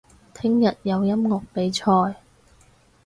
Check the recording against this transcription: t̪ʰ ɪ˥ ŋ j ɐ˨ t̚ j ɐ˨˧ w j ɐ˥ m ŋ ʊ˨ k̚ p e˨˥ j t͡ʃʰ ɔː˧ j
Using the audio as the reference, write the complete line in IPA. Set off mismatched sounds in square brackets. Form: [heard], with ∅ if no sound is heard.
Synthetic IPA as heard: t̪ʰ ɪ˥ ŋ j ɐ˨ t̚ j ɐ˨˧ w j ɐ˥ m ŋ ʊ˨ k̚ p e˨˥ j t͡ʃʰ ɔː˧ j